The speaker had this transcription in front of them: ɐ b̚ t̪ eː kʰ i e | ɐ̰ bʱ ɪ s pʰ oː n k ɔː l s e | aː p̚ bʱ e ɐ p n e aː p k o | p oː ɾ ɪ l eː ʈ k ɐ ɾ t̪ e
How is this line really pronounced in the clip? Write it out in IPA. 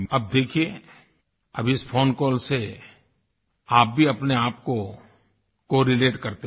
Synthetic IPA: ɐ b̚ d̪ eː kʰ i e | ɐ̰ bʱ ɪ s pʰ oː n k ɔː l s e | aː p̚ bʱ i ɐ p n e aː p k o | k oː ɾ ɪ l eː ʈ k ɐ ɾ t̪ e